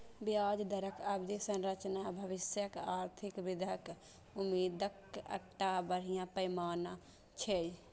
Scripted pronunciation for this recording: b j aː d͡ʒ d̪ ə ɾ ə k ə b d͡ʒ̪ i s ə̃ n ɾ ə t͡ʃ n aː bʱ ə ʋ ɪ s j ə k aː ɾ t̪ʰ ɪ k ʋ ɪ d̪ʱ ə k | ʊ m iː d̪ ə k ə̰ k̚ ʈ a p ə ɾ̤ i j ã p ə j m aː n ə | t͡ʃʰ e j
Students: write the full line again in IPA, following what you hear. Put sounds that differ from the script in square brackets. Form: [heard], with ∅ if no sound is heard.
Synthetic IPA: b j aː d͡ʒ d̪ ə ɾ ə k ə b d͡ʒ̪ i s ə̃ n ɾ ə t͡ʃ n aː bʱ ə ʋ ɪ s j ə k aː ɾ t̪ʰ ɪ k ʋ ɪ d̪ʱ ə k | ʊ m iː d̪ ə k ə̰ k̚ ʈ a [b] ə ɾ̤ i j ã p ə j m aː n [a] | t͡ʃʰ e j